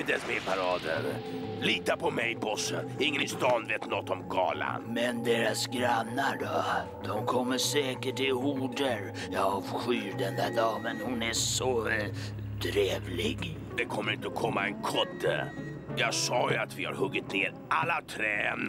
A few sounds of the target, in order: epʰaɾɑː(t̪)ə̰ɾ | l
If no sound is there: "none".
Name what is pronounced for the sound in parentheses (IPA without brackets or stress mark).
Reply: d̪